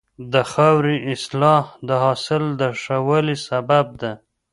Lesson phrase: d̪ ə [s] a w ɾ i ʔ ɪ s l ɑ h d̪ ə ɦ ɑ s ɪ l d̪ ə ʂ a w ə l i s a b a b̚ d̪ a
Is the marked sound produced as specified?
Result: no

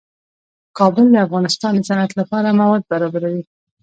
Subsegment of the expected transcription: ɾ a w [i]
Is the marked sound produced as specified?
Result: yes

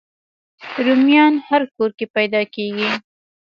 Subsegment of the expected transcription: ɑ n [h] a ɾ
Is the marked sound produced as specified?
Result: yes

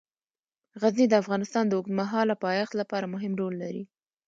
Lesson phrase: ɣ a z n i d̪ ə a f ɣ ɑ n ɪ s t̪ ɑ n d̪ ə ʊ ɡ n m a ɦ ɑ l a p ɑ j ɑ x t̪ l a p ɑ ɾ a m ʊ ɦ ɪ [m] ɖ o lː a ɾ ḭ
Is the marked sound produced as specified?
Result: yes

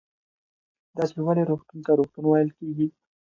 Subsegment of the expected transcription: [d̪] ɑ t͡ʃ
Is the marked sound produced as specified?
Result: yes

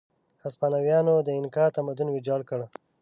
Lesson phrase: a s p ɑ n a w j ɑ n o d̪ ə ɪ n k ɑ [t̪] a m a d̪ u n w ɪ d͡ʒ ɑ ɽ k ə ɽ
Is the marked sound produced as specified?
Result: yes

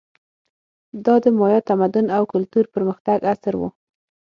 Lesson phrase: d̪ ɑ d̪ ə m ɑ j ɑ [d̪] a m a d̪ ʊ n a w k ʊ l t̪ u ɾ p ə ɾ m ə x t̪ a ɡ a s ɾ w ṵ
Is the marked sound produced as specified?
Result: no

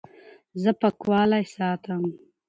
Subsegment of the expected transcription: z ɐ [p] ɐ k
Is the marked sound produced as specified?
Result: yes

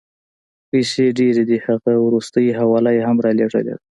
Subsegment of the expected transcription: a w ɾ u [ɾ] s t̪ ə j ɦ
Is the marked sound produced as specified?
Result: no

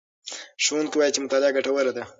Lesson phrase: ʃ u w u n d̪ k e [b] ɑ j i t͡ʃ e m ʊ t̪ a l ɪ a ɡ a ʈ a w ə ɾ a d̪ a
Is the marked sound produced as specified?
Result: no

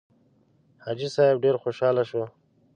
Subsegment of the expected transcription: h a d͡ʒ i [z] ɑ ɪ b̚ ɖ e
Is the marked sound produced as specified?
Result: no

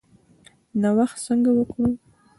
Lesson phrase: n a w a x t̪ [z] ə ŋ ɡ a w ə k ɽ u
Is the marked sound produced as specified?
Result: no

